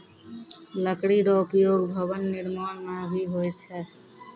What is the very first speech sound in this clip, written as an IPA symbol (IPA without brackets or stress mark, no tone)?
l